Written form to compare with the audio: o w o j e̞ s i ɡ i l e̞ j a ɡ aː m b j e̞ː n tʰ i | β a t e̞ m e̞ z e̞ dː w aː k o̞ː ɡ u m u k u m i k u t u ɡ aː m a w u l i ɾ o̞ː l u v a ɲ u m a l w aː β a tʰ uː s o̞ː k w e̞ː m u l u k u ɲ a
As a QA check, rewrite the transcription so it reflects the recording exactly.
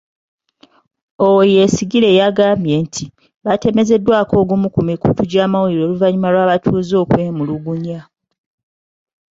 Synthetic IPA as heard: o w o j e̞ s i ɡ i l e̞ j a ɡ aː m b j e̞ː n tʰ i | β a t e̞ m e̞ z e̞ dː w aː k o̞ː ɡ u m u k u m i k u t u ɟ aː m a w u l i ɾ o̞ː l u v a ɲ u m a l w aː β a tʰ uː z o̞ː k w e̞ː m u l u ɡ u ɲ a